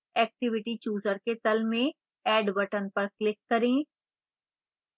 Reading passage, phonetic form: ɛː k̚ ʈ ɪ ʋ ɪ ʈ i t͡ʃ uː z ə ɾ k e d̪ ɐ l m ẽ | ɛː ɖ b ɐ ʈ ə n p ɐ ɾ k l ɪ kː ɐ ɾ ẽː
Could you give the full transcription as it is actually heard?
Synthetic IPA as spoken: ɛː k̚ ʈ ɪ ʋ ɪ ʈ i t͡ʃ uː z ə ɾ k e t̪ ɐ l m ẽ | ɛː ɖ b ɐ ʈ ə n p ɐ ɾ k l ɪ kː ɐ ɾ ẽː